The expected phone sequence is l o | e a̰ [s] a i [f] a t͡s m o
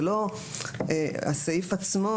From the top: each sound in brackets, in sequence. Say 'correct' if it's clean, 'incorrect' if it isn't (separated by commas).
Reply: correct, correct